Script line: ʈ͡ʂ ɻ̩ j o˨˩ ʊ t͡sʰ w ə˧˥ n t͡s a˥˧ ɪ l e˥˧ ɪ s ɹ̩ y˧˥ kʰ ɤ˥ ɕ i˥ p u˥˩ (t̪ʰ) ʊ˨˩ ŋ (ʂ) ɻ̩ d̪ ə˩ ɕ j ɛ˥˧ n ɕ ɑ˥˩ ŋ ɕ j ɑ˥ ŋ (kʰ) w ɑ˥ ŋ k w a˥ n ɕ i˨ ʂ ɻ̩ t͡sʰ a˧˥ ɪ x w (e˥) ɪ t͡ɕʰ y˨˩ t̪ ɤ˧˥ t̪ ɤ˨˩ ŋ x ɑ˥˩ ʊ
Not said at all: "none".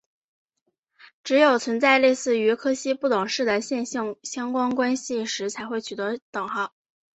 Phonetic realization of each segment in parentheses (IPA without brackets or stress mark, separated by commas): t̪, ʂ, k, e˥˩